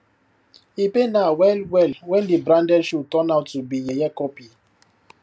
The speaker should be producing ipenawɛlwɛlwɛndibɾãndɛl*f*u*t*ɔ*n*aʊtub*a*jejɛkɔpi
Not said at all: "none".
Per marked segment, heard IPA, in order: ʃ, t, n, i

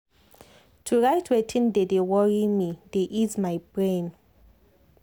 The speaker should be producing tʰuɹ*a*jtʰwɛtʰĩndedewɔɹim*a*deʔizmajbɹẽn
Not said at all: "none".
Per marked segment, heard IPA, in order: a, i

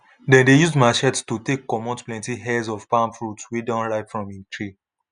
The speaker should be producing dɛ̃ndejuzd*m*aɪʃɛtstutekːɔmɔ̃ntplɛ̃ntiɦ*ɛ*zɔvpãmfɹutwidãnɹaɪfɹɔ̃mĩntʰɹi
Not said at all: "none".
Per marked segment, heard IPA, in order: m, ɛ

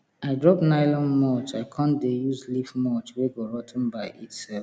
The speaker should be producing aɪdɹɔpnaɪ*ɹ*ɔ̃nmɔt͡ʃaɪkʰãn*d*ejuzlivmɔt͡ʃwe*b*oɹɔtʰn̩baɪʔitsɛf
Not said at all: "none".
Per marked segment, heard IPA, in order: l, d, ɡ

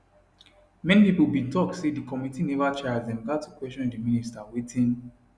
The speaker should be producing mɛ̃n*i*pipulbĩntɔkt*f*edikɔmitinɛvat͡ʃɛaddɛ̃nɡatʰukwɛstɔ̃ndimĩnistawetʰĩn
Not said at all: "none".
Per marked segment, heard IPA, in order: i, s

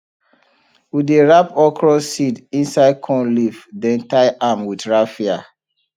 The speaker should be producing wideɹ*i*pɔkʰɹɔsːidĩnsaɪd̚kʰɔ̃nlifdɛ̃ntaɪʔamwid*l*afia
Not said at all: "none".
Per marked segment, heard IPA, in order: a, ɹ

